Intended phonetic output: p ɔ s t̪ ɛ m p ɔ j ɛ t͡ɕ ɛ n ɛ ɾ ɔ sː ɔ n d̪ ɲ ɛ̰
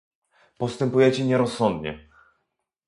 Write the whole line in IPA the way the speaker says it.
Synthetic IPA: p ɔ s t̪ ɛ m p u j ɛ t͡ɕ ɛ ɲ ɛ ɾ ɔ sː ɔ n d̪ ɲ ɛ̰